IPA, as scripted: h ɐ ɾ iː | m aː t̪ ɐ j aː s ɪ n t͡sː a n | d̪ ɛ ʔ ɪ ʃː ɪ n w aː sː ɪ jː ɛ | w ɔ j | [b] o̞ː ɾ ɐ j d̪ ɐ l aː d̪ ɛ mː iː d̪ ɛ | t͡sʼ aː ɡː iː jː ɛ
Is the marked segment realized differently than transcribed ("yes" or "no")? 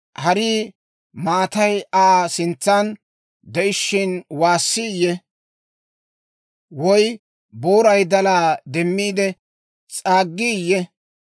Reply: no